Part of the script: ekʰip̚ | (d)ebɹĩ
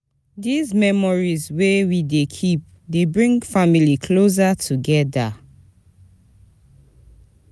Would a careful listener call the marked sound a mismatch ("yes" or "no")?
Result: no